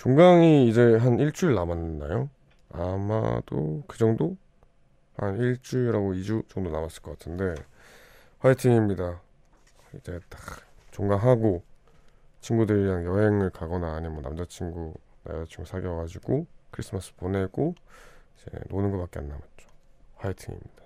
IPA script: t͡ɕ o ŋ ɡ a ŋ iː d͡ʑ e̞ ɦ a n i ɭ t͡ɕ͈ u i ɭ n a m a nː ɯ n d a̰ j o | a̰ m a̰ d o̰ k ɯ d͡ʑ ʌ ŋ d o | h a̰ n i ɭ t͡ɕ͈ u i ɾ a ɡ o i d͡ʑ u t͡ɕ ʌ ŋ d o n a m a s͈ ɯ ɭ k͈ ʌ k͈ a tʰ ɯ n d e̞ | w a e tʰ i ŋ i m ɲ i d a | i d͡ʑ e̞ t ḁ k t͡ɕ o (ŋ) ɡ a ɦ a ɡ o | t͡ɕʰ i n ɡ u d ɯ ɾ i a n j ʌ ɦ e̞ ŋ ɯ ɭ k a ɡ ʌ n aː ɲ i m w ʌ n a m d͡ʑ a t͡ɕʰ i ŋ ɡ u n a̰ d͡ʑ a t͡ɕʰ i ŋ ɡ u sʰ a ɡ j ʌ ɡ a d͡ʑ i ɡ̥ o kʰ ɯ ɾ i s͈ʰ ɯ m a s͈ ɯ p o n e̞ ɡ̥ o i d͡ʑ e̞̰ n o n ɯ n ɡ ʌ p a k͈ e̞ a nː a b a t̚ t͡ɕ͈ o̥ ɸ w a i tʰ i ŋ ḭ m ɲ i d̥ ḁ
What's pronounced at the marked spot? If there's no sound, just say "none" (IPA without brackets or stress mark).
ŋ